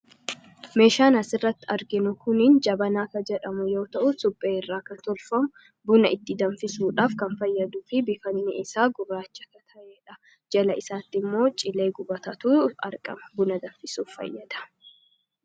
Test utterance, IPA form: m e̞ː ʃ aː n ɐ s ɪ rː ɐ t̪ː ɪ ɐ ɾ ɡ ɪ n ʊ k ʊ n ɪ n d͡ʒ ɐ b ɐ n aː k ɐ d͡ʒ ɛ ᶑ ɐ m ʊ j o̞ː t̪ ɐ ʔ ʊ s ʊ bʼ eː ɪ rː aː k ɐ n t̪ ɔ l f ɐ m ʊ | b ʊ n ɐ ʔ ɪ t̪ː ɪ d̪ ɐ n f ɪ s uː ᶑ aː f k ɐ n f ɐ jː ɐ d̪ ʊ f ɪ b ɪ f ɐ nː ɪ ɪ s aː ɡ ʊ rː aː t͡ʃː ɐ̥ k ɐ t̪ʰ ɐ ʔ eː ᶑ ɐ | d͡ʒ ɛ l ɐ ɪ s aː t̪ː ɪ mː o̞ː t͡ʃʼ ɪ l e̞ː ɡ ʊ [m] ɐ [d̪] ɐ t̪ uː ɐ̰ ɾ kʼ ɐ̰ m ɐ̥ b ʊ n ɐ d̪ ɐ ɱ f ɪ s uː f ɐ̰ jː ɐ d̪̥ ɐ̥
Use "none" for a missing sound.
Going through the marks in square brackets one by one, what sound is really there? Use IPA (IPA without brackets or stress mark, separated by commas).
b, t̪